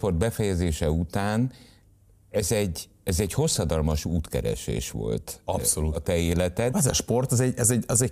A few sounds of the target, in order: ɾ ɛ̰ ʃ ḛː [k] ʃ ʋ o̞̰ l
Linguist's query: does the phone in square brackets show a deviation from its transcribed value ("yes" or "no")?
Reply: yes